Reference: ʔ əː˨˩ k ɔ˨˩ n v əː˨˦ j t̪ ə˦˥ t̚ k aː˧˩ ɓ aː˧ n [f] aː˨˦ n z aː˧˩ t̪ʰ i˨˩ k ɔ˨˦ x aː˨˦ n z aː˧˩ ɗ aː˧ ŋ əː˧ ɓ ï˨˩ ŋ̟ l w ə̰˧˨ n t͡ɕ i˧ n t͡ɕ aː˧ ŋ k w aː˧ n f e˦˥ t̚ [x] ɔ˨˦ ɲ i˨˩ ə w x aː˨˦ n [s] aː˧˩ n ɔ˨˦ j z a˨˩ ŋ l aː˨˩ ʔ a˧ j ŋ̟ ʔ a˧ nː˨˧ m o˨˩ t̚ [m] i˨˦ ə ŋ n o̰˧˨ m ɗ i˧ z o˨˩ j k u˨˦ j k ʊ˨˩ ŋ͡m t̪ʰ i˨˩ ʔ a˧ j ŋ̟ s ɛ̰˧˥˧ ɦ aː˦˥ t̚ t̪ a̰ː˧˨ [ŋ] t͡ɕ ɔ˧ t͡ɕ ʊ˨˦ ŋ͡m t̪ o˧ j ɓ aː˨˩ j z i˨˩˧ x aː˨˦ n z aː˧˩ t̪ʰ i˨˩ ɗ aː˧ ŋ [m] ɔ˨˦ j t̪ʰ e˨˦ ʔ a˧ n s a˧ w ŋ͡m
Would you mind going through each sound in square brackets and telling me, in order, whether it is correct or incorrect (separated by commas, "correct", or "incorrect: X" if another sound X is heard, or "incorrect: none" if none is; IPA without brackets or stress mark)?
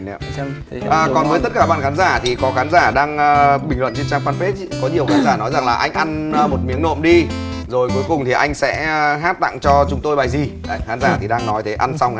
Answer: incorrect: x, incorrect: k, incorrect: z, correct, correct, incorrect: n